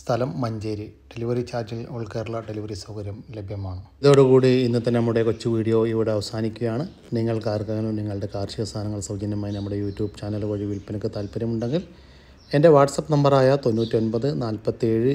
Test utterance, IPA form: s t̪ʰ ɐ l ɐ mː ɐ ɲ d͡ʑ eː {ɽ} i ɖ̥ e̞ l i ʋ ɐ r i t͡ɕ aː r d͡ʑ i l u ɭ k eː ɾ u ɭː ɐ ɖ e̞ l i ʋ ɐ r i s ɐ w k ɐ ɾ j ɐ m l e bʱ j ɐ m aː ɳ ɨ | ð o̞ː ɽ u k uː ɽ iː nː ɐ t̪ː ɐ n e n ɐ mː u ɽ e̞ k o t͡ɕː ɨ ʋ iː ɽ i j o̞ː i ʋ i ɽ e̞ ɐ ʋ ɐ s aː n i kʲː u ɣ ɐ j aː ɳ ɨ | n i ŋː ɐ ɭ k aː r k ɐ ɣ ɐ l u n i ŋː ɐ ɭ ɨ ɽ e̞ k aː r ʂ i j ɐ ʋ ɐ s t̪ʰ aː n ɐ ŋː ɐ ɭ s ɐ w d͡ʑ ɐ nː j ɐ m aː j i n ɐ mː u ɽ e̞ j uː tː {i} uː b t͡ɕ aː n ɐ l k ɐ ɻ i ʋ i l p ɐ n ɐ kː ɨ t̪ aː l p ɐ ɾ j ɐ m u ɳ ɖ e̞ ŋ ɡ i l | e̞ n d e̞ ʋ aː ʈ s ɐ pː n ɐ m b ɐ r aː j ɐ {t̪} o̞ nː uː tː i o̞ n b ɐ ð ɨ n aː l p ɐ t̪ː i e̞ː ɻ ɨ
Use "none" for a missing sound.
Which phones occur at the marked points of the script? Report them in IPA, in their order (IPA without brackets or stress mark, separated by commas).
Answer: ɾ, j, t̪